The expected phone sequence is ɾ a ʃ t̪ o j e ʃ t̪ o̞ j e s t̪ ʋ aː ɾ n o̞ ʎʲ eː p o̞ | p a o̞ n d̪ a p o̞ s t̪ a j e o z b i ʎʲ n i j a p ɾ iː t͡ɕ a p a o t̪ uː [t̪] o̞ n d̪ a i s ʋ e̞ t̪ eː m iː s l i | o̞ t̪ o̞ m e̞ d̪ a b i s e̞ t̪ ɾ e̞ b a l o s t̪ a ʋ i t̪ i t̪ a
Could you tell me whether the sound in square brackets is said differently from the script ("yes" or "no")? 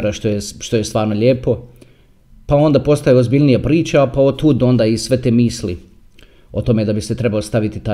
yes